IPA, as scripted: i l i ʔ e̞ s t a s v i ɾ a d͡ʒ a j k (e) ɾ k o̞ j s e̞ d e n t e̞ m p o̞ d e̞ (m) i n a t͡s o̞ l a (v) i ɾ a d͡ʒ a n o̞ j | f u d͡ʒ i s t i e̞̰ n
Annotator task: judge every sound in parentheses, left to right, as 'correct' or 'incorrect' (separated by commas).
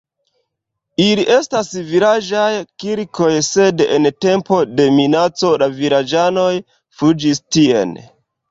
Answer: incorrect, correct, correct